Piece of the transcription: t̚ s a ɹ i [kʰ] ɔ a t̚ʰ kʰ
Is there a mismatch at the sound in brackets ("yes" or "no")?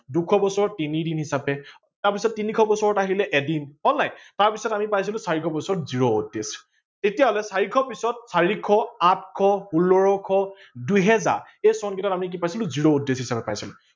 no